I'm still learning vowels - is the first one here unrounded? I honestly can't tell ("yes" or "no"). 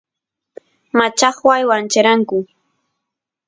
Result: yes